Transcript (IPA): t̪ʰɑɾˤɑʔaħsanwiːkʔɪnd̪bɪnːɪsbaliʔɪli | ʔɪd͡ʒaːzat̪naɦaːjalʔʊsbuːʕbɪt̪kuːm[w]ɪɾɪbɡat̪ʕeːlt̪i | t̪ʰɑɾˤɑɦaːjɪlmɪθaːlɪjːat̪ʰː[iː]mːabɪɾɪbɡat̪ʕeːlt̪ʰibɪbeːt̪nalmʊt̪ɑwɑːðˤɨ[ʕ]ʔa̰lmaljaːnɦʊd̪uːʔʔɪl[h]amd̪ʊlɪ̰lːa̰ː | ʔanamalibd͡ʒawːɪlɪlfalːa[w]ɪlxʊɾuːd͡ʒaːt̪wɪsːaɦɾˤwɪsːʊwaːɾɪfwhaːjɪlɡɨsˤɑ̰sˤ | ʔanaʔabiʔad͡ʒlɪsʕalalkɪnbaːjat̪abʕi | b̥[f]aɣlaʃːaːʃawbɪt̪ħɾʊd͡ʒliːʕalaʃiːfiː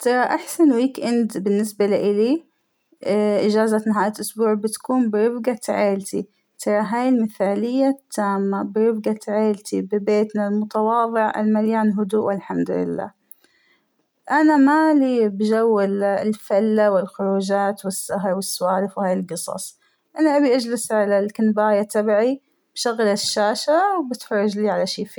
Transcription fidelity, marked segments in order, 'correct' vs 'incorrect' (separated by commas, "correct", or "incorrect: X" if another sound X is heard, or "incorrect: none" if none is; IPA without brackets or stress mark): incorrect: b, incorrect: aː, correct, incorrect: ħ, correct, incorrect: ʃ